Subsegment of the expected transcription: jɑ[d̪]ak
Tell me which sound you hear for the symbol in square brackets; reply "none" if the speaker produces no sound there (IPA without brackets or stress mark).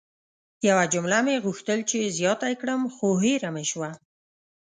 t̪